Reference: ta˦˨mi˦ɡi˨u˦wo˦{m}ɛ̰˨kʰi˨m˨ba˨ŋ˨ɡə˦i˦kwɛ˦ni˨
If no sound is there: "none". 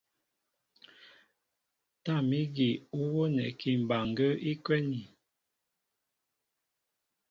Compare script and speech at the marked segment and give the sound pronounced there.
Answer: n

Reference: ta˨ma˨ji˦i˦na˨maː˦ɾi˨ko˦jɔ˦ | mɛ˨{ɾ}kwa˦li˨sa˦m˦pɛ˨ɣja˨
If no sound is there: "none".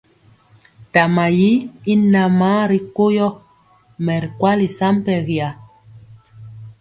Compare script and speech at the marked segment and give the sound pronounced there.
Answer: ɾ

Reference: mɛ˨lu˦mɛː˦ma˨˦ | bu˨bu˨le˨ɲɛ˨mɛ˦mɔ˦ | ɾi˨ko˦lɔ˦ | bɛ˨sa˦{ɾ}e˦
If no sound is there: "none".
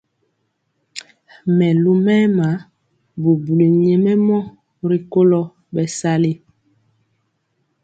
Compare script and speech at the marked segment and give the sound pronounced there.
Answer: l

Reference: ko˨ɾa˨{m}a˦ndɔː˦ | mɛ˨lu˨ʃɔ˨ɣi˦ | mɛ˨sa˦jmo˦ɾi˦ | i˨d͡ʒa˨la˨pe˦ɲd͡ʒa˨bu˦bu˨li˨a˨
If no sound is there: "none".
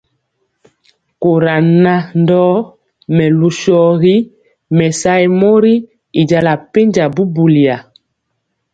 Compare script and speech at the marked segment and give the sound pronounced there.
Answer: n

